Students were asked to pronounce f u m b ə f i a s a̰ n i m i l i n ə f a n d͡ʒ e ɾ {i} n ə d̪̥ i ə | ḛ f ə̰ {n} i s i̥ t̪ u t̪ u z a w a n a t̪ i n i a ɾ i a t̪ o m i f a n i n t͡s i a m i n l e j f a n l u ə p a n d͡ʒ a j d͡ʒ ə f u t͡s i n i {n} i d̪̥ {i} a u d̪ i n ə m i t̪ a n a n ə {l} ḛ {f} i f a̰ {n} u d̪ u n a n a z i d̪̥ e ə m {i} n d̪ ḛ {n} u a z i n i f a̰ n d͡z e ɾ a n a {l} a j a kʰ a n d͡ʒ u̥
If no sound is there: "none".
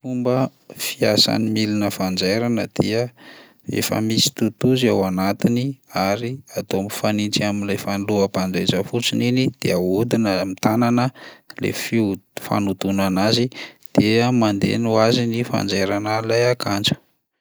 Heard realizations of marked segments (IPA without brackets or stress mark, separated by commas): a, m, n, e, l, f, n, a, n, l